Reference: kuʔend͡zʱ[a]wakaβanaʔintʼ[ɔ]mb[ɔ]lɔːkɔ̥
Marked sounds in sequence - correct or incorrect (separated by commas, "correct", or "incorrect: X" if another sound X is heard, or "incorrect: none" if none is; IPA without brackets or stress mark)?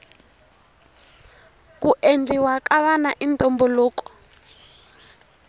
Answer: incorrect: i, correct, correct